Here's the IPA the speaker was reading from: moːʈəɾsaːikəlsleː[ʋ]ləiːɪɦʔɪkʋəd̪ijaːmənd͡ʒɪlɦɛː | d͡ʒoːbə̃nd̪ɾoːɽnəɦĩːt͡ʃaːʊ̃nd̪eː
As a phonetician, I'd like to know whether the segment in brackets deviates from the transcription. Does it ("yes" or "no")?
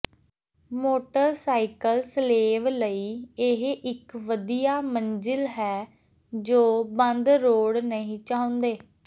no